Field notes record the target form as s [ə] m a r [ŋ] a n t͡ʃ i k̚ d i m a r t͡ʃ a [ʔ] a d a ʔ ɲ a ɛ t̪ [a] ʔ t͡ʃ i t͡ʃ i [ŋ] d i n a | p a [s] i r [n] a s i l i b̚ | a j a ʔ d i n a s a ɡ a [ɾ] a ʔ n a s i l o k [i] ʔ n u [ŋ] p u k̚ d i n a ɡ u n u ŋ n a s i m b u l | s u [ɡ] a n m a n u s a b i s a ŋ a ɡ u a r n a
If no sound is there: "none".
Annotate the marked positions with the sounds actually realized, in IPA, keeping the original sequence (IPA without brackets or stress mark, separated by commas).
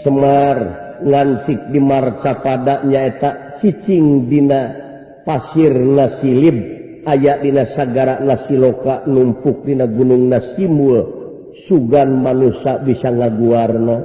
ə, ŋ, p, a, ŋ, s, n, ɾ, a, m, ɡ